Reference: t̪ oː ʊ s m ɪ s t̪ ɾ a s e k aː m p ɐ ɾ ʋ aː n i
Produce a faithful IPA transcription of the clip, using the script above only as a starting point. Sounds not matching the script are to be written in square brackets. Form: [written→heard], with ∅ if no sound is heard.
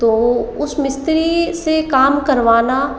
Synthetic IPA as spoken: t̪ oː ʊ s m ɪ s t̪ ɾ [a→i] s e k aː m [p→k] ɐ ɾ ʋ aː n [i→a]